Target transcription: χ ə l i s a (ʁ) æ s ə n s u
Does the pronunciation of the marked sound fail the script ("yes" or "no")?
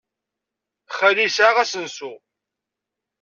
no